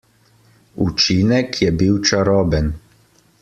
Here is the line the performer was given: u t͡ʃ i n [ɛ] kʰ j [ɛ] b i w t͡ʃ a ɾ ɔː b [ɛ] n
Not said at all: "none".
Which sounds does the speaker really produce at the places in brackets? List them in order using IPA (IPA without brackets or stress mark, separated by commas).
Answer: ɛ, ɛ, ɛ